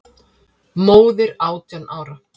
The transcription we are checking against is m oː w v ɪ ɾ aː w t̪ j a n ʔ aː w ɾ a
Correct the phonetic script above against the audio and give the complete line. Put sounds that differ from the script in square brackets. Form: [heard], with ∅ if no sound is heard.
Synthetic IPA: m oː w [ð] ɪ ɾ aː w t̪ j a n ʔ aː w ɾ a